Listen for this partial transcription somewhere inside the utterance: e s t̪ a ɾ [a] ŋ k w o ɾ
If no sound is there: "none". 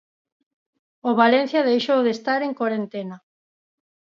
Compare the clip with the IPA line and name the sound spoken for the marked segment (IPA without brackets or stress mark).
e